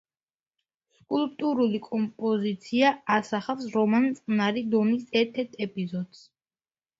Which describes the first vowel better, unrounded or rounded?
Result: rounded